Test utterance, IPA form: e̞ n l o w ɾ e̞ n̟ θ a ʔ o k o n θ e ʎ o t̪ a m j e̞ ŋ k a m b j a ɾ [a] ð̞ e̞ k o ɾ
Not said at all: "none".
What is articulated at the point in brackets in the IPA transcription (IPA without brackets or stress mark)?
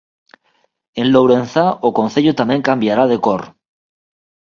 a